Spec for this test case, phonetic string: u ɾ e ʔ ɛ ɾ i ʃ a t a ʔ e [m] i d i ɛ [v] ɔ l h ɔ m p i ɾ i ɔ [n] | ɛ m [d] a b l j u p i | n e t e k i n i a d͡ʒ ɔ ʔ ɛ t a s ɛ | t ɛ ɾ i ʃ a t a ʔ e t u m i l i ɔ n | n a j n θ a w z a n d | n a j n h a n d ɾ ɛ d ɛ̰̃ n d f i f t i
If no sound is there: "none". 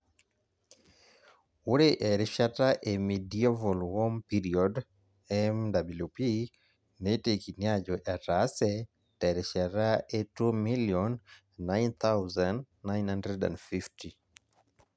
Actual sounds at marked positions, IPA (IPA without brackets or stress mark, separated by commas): m, v, d, d